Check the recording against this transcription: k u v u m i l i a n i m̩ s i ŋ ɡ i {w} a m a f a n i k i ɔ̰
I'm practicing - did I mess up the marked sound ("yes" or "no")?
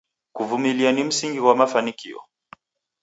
no